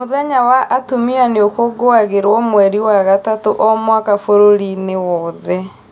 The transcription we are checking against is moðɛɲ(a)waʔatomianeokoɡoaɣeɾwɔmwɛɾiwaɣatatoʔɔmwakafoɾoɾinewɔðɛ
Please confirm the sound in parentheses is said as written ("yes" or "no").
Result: yes